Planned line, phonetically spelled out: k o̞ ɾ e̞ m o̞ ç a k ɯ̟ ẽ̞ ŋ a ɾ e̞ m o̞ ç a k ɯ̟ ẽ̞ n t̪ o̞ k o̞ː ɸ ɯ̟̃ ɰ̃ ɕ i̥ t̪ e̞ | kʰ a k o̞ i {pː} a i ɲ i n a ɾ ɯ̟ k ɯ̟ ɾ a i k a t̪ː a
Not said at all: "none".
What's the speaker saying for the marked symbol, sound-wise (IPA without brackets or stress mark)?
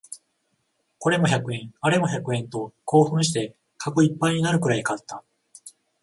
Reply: pː